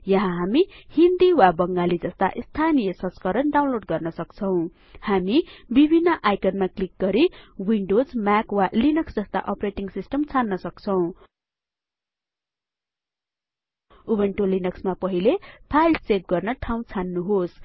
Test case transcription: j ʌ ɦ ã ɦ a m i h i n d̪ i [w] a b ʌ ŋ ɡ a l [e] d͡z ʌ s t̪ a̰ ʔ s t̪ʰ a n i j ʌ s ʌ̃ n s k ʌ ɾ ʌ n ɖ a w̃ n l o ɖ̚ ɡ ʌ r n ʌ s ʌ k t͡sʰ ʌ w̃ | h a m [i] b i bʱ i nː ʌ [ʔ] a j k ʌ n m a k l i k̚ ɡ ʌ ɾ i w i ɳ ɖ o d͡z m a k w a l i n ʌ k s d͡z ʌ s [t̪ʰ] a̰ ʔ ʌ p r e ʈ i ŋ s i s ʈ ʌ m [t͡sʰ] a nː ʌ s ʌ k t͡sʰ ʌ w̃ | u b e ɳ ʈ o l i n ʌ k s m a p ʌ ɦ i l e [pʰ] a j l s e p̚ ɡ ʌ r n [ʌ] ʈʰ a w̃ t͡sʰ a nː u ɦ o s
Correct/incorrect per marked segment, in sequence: correct, incorrect: i, correct, correct, incorrect: t̪, correct, correct, correct

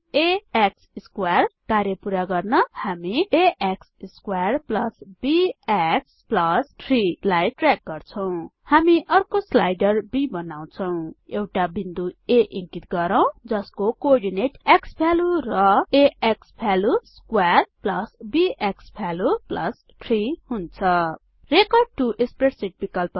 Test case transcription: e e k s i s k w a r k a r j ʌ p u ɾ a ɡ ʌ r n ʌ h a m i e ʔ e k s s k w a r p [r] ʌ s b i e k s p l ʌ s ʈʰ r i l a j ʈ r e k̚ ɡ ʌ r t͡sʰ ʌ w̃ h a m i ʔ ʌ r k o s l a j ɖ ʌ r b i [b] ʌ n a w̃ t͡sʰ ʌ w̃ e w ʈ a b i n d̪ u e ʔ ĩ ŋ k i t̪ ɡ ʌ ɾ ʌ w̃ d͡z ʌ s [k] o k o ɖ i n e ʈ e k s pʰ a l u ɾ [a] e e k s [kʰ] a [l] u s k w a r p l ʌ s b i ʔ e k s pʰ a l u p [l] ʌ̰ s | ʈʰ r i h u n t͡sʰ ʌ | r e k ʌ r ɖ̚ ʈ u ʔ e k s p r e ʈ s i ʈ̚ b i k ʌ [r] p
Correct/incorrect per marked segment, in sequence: incorrect: l, correct, correct, incorrect: ʌ, incorrect: pʰ, correct, correct, incorrect: l

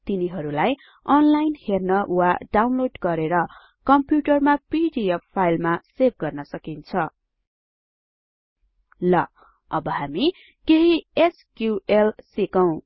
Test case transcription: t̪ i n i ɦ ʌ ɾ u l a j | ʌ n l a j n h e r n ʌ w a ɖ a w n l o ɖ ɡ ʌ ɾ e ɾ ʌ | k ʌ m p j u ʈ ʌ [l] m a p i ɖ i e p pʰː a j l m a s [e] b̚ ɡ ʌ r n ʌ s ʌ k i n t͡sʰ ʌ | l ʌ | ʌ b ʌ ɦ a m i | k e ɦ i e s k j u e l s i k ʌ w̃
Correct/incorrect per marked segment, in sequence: incorrect: r, correct

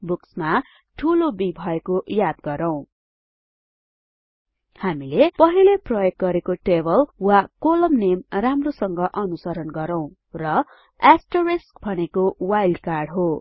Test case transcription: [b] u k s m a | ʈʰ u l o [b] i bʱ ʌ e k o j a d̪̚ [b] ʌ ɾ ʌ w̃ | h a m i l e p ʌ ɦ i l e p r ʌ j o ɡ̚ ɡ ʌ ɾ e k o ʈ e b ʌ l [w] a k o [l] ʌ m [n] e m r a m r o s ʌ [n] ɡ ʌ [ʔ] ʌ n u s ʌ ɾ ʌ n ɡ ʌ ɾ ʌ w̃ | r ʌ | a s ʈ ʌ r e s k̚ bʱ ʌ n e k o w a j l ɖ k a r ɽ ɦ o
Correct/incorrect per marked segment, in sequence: correct, correct, incorrect: ɡ, correct, correct, correct, incorrect: ŋ, correct

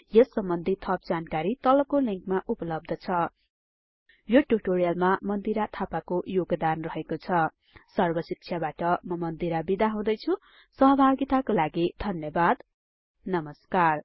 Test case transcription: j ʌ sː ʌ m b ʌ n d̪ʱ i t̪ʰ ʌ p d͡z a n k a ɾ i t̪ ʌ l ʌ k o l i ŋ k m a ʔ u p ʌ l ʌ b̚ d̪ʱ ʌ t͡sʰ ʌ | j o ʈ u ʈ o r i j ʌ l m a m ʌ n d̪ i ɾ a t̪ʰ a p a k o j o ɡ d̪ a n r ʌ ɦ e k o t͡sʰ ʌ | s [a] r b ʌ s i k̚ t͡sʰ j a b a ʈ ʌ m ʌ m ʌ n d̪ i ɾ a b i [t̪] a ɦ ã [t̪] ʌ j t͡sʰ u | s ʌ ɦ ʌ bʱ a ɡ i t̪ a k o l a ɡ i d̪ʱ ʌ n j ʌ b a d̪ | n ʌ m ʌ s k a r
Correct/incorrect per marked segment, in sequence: incorrect: ʌ, incorrect: d̪, incorrect: d̪

